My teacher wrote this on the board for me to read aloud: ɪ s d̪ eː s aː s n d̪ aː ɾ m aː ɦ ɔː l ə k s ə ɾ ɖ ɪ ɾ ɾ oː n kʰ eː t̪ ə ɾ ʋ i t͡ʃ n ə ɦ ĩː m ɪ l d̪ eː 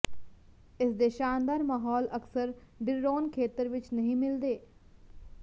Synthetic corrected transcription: ɪ s d̪ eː ʃ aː n d̪ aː ɾ m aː ɦ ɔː l ə k s ə ɾ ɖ ɪ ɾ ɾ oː n kʰ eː t̪ ə ɾ ʋ ɪ t͡ʃ n ə ɦ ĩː m ɪ l d̪ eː